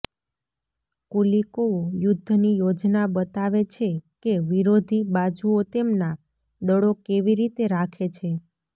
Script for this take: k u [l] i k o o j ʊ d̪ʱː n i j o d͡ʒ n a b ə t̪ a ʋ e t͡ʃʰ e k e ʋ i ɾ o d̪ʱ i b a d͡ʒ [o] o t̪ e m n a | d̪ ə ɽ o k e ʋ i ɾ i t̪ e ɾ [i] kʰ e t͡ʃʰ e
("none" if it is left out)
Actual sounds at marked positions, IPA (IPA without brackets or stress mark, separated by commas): l, u, a